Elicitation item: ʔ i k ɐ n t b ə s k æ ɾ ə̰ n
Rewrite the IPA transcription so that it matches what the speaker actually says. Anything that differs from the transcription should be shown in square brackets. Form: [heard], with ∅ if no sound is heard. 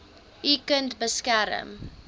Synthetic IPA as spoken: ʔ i k [ə] n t b ə s k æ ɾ ə̰ [m]